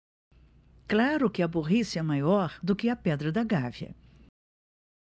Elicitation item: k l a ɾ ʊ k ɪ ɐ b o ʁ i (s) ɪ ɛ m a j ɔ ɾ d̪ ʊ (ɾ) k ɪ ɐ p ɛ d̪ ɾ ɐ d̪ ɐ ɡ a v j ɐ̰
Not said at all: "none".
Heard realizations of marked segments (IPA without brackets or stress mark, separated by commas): s, none